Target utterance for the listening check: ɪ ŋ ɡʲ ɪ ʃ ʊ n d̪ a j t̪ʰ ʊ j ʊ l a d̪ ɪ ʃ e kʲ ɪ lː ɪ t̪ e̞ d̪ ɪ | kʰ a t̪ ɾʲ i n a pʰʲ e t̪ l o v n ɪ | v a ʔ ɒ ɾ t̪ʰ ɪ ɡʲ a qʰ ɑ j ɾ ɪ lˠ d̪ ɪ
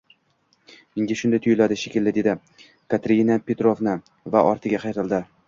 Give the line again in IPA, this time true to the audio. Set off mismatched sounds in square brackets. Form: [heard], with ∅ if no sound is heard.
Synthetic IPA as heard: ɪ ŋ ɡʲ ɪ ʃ ʊ n d̪ a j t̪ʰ ʊ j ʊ l a d̪ ɪ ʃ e kʲ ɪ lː ɪ [d̪] e̞ d̪ ɪ | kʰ a t̪ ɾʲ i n a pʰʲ e t̪ [ɾ] o v n ɪ | v a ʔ ɒ ɾ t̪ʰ ɪ ɡʲ a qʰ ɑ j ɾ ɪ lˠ d̪ ɪ